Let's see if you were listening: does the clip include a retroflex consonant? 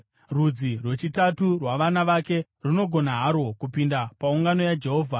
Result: no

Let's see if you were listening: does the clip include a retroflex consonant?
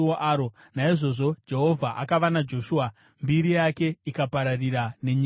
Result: yes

